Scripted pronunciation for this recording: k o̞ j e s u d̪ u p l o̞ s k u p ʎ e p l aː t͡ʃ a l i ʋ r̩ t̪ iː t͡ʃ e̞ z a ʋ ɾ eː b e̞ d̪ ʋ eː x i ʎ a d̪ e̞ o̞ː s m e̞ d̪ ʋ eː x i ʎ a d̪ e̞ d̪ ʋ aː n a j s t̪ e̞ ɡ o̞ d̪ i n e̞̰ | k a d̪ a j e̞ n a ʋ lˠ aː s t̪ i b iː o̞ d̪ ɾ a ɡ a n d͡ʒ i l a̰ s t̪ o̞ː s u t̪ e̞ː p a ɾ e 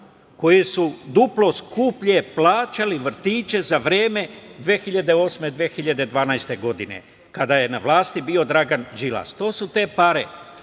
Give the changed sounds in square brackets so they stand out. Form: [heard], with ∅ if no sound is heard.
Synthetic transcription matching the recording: k o̞ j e s u d̪ u p l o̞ s k u p ʎ e p l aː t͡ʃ a l i ʋ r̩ t̪ iː t͡ʃ e̞ z a ʋ ɾ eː [m] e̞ d̪ ʋ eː x i ʎ a d̪ e̞ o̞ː s m e̞ d̪ ʋ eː x i ʎ a d̪ e̞ d̪ ʋ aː n a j s t̪ e̞ ɡ o̞ d̪ i n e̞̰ | k a d̪ a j e̞ n a ʋ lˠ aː s t̪ i b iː o̞ d̪ ɾ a ɡ a n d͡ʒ i l a̰ s t̪ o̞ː s u t̪ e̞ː p a ɾ e